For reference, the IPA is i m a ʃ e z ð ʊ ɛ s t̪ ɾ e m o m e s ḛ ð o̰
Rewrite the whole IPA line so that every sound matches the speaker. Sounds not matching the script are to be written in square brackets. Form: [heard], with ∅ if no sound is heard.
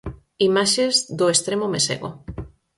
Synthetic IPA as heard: i m a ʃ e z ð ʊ [e] s t̪ ɾ e m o m e s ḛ [ɣ] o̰